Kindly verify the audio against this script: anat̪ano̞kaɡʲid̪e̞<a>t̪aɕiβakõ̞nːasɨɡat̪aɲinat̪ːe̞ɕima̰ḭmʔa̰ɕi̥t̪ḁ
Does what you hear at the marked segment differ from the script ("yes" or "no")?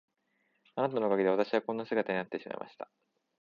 no